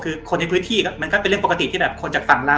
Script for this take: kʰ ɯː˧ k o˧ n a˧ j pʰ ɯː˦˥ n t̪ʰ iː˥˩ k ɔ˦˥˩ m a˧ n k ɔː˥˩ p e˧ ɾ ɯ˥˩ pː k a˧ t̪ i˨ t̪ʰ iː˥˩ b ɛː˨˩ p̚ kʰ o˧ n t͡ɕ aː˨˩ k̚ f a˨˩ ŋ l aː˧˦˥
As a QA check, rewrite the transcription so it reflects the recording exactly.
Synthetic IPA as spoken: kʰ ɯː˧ kʰ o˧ n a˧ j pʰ ɯː˦˥ n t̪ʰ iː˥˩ k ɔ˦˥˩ m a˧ n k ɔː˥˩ p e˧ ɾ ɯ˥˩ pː k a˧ t̪ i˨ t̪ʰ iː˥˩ b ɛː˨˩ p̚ kʰ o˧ n t͡ɕ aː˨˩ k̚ f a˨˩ ŋ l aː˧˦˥